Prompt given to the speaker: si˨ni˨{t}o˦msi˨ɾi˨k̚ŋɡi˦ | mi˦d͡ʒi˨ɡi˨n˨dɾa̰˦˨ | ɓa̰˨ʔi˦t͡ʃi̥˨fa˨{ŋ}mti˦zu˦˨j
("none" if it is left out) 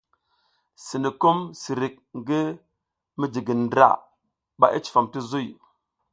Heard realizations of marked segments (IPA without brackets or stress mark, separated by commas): k, none